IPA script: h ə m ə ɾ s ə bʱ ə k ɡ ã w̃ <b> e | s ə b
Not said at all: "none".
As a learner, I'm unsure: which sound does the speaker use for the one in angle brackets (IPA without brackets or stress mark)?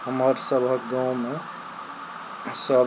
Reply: m